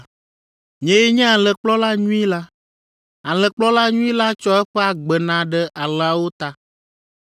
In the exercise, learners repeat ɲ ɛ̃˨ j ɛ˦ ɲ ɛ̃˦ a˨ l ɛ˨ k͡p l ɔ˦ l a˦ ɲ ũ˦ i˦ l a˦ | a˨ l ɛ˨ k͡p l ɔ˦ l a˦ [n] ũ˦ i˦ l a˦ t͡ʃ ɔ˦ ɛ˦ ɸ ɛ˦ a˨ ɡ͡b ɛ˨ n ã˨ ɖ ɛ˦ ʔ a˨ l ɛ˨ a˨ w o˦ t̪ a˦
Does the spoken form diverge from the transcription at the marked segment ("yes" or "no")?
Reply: yes